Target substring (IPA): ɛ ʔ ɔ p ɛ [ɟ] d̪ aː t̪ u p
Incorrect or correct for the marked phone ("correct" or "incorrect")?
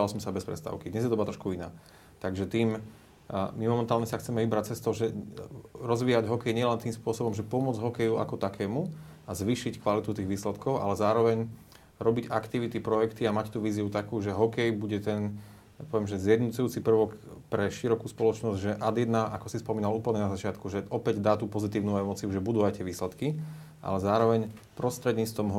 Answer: correct